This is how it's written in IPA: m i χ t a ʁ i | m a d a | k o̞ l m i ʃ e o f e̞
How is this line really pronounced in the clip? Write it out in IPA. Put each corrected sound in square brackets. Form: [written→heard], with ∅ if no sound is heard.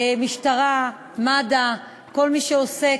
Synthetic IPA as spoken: m i [χ→ʃ] t a ʁ [i→a] | m a d a | k o̞ l m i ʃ e o [f→s] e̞